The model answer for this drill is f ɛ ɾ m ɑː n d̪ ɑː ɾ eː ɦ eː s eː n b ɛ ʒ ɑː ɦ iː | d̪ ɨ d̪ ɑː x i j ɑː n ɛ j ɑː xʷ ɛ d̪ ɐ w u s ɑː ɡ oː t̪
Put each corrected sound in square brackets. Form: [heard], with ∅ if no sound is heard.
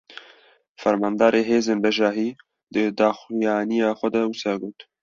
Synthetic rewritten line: f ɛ ɾ m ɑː n d̪ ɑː ɾ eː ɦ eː [z] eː n b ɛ ʒ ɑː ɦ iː | d̪ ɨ d̪ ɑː x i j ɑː n [i] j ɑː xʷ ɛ d̪ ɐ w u s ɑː ɡ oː t̪